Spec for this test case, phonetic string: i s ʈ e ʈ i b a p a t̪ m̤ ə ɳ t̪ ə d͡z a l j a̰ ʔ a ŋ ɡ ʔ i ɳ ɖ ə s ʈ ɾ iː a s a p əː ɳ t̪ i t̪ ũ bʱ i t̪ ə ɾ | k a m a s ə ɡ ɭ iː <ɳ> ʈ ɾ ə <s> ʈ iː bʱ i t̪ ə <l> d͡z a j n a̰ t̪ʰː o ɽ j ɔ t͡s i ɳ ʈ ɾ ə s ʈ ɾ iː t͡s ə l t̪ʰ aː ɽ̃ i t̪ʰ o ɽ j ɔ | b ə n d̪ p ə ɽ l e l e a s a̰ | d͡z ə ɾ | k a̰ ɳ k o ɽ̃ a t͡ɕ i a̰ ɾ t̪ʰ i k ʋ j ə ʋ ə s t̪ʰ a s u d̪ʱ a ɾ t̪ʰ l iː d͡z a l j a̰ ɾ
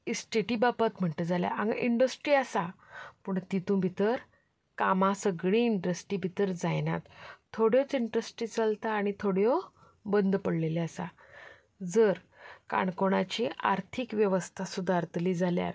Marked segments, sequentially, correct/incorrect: correct, correct, incorrect: ɾ

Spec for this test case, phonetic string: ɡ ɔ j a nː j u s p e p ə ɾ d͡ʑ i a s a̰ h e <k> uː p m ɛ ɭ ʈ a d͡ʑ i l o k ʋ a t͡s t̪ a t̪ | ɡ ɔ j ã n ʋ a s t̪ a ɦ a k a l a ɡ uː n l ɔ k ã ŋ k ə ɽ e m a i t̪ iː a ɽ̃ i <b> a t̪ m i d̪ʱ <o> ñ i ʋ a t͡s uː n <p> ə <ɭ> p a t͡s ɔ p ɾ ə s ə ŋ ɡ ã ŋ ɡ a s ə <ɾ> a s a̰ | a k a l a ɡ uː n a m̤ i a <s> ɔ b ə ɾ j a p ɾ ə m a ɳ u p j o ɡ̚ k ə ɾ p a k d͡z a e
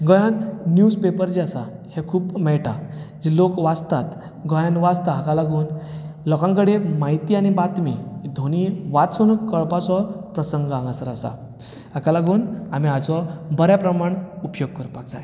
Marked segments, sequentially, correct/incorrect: incorrect: kʰ, correct, correct, incorrect: k, correct, correct, incorrect: t͡s

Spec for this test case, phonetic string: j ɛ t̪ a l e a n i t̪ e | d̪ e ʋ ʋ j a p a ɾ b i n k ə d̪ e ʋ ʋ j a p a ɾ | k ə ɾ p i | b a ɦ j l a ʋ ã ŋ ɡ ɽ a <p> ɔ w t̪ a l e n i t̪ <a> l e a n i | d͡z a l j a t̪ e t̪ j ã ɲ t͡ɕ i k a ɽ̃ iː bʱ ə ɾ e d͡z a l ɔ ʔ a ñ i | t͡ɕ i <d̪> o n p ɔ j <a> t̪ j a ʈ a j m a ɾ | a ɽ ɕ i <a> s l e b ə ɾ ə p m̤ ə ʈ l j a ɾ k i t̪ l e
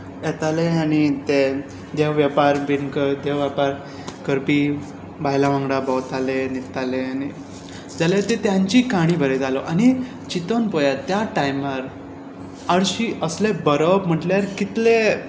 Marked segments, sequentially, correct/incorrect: incorrect: b, correct, incorrect: t̪, correct, incorrect: ə

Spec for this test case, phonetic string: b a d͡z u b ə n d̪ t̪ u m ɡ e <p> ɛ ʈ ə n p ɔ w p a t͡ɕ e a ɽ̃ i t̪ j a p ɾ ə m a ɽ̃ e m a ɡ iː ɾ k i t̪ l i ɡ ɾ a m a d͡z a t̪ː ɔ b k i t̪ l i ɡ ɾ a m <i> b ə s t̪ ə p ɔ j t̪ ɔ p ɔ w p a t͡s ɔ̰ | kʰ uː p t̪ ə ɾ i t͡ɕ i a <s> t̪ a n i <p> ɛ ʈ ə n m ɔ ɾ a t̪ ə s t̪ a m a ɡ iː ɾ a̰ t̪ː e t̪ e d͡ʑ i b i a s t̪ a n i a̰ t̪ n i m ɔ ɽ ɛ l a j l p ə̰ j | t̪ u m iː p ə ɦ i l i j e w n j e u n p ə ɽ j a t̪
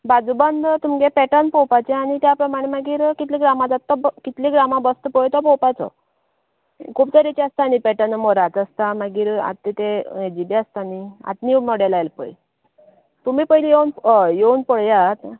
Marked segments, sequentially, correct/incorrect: correct, incorrect: a, correct, correct

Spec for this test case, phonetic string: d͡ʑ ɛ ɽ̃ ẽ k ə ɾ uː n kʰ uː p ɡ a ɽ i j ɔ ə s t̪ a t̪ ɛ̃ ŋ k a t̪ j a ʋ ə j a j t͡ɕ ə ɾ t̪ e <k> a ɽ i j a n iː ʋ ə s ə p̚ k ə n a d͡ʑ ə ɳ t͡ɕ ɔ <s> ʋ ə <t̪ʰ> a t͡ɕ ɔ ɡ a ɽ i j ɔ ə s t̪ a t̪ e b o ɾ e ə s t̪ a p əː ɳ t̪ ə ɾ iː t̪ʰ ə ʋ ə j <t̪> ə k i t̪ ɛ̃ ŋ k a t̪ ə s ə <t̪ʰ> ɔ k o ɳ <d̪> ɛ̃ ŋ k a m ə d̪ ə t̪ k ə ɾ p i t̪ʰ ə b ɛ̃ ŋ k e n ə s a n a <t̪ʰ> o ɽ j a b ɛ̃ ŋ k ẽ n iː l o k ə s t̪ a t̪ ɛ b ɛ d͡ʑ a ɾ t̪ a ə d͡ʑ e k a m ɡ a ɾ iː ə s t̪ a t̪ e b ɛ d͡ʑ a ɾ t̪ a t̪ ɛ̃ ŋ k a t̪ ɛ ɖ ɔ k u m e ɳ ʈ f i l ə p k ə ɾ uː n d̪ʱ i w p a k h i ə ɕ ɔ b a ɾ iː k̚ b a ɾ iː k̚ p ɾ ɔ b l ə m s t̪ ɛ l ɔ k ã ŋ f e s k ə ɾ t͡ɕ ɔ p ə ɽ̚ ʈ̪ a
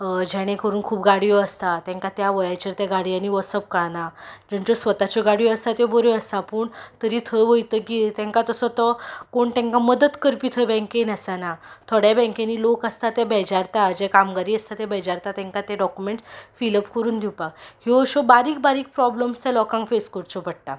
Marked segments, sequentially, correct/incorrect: incorrect: ɡ, correct, incorrect: t̪, correct, incorrect: t̪, incorrect: t̪, correct

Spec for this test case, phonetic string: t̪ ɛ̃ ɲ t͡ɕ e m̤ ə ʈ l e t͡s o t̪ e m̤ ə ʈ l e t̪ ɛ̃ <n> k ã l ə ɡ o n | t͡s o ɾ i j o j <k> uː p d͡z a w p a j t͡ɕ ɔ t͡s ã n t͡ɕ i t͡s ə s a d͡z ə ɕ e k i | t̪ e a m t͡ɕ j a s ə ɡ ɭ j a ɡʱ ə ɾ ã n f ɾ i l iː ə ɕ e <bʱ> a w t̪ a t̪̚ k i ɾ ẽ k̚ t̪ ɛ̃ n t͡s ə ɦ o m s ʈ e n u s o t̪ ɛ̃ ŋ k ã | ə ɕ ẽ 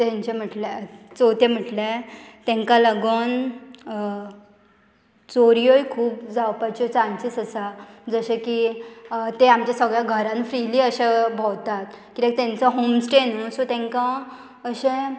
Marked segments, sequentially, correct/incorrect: incorrect: ŋ, incorrect: kʰ, correct

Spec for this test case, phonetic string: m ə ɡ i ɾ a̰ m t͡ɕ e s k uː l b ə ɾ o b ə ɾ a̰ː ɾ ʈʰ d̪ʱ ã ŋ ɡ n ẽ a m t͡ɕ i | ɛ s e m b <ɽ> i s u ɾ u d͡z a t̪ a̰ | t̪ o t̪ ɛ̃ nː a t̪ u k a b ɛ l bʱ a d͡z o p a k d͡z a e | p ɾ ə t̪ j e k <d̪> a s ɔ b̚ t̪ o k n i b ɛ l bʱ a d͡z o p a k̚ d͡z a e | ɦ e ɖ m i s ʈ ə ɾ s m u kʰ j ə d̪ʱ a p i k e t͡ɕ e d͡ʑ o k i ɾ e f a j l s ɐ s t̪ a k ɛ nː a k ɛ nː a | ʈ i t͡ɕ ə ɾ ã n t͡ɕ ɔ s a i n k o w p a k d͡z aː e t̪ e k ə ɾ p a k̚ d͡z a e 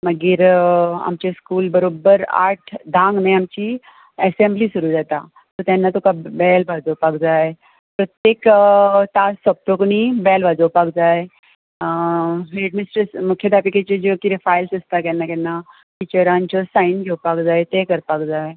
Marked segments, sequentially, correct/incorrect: incorrect: l, incorrect: t̪

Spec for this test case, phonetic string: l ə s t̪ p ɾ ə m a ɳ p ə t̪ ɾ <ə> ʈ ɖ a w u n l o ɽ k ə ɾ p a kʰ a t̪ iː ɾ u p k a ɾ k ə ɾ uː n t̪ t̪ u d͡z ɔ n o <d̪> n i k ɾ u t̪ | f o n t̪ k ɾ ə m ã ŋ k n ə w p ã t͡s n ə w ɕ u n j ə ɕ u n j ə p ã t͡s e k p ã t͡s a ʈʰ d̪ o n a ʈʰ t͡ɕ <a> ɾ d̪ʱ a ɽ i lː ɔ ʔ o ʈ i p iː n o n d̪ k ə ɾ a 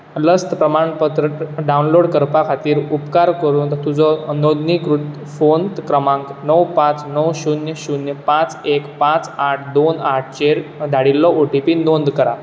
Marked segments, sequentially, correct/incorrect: correct, correct, incorrect: e

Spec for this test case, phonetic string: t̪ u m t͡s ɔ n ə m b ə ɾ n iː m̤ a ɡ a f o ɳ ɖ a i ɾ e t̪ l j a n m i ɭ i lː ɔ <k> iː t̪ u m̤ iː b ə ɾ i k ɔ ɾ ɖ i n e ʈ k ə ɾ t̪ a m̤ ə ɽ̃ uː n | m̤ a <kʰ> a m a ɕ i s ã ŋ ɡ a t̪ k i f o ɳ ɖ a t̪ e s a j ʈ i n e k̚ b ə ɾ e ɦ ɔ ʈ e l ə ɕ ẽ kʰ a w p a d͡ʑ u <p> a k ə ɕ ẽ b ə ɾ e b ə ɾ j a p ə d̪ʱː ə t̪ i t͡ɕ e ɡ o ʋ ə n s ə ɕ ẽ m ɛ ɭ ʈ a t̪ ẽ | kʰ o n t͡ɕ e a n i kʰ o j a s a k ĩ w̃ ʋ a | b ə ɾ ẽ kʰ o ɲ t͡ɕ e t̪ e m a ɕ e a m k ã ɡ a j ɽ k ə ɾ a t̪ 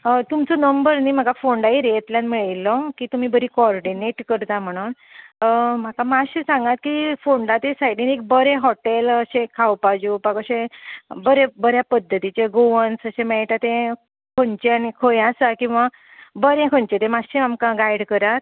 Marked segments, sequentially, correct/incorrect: correct, incorrect: k, correct

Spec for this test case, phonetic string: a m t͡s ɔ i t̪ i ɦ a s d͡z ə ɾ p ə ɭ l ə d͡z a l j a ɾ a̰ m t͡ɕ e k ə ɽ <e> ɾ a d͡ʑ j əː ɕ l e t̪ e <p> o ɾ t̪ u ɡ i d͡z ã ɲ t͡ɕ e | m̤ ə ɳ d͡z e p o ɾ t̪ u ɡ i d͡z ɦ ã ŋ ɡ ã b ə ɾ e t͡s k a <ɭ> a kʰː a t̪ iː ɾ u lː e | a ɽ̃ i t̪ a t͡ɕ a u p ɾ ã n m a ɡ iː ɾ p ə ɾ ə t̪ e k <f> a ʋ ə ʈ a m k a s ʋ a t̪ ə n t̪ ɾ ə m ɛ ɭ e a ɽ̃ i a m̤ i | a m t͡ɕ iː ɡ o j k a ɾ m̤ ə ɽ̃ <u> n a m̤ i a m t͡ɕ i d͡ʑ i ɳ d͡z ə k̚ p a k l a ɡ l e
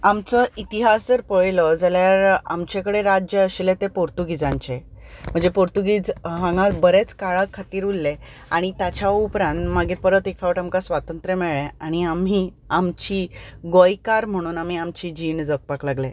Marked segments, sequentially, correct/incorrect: correct, correct, correct, correct, incorrect: uː

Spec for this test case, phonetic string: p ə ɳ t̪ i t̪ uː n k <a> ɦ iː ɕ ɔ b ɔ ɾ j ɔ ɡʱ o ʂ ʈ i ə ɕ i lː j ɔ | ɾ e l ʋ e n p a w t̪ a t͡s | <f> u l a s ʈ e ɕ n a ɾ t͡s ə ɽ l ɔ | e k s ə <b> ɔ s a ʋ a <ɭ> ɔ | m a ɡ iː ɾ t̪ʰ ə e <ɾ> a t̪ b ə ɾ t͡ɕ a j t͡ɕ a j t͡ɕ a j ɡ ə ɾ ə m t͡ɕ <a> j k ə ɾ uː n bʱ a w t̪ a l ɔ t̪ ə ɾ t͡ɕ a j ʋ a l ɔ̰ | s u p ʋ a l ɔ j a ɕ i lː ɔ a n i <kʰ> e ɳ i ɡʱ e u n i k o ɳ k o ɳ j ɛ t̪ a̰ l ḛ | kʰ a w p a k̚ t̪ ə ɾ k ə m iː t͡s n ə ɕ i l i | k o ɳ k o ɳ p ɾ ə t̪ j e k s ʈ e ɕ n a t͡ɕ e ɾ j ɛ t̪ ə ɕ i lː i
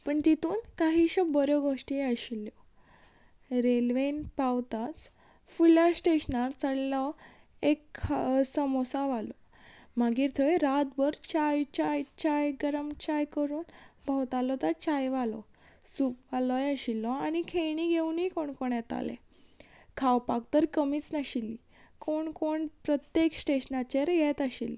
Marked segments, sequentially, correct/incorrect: correct, correct, incorrect: m, incorrect: l, correct, correct, correct

